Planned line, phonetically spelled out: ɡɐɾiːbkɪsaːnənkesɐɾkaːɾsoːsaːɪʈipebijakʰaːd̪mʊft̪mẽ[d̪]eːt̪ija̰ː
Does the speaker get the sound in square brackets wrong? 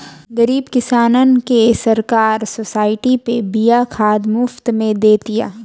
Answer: no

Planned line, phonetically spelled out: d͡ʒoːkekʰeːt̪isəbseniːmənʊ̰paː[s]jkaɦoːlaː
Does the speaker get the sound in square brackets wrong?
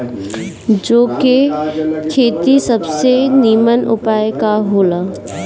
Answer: yes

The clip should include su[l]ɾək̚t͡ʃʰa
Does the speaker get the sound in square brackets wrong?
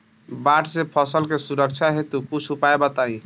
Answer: yes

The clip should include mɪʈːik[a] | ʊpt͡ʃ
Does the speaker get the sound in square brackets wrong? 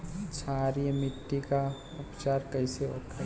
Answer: no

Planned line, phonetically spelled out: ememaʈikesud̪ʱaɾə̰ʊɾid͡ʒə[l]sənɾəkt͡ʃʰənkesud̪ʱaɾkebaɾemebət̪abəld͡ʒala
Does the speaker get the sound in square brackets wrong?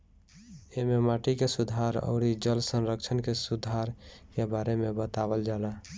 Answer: no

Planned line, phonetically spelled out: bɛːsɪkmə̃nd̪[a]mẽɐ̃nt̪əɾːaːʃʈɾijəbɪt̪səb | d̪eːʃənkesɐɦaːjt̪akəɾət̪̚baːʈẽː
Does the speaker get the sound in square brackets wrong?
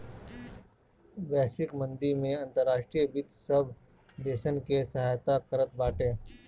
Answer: yes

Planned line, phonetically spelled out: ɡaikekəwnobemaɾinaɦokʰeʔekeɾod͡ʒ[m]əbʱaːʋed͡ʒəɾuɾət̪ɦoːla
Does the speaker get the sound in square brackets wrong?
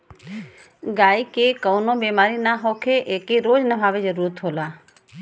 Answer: yes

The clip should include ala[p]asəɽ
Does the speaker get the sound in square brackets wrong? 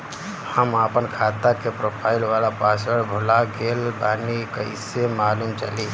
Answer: no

